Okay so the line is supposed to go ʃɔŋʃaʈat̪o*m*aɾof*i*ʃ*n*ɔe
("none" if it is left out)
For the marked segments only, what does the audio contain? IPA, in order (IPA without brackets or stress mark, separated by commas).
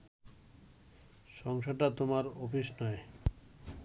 m, i, n